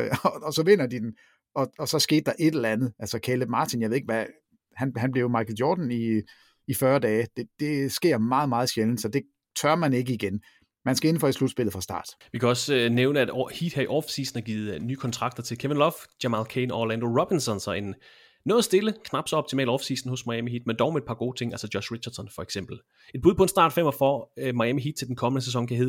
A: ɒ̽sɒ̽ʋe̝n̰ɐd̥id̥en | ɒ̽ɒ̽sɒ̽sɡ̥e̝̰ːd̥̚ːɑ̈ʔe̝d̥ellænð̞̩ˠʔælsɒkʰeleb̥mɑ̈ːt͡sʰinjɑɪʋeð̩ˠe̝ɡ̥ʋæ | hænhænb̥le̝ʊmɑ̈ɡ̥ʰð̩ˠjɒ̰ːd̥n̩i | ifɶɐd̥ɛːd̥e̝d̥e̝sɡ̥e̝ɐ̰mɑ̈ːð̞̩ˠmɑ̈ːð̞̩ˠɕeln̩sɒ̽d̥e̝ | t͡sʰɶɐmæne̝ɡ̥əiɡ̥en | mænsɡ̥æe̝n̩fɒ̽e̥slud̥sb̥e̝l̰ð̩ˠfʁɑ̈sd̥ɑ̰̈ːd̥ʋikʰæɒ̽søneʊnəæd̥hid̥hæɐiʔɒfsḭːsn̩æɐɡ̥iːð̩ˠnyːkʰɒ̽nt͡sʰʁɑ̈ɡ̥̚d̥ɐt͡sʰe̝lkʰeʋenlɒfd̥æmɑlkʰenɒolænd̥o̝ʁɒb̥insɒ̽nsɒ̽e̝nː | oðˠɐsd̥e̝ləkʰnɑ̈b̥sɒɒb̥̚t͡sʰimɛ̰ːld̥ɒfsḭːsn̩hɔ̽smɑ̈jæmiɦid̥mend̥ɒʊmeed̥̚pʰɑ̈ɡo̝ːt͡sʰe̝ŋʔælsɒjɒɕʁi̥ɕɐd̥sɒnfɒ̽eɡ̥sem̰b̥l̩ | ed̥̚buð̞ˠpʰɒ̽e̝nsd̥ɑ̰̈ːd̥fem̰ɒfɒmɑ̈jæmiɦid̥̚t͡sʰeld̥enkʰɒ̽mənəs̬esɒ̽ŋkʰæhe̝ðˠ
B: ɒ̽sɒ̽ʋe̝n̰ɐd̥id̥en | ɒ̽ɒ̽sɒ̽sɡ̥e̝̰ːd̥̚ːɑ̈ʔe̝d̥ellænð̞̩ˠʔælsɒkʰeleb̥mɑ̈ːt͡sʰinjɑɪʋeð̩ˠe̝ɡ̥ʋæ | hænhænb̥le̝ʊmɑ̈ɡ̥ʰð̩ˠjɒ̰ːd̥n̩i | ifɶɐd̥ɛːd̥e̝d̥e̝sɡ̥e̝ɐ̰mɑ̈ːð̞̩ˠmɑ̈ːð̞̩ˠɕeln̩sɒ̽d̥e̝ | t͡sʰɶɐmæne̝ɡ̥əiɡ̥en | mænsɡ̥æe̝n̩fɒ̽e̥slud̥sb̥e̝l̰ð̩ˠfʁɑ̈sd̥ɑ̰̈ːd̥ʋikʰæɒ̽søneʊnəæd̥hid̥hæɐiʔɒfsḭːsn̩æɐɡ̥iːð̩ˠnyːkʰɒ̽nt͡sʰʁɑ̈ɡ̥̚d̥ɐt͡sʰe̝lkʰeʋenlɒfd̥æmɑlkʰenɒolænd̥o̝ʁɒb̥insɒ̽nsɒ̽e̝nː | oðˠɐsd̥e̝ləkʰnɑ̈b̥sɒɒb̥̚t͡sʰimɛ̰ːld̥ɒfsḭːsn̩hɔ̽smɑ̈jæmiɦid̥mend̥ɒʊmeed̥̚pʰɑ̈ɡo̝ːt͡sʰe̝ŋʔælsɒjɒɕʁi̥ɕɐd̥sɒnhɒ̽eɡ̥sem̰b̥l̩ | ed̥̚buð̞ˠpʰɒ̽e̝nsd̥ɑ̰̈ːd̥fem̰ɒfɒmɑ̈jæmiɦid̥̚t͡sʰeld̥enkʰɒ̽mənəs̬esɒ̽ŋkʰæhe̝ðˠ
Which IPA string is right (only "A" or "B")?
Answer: A